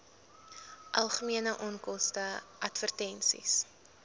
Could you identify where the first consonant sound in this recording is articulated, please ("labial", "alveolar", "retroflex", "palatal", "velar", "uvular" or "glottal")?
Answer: glottal